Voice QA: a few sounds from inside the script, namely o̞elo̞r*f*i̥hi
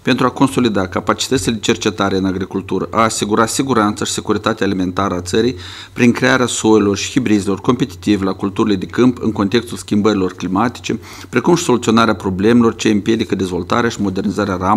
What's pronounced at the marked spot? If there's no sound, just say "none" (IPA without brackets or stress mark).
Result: ʃ